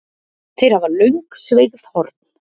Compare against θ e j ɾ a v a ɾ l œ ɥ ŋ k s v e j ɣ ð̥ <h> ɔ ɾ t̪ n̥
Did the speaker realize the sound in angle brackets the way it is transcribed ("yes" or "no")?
yes